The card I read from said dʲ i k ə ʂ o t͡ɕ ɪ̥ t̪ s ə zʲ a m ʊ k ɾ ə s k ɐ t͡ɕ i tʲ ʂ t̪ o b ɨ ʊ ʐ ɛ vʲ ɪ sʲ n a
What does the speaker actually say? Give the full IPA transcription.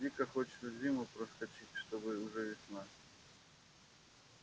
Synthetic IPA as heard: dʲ i k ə x o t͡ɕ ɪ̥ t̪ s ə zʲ i m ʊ p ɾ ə s k ɐ t͡ɕ i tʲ ʂ t̪ o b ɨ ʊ ʐ ɛ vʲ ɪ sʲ n a